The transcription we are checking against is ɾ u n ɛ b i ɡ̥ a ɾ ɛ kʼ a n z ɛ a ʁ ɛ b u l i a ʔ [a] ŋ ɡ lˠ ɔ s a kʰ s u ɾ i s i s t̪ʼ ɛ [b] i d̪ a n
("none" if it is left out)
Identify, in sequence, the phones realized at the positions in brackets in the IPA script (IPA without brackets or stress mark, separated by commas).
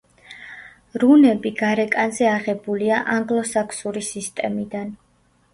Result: a, m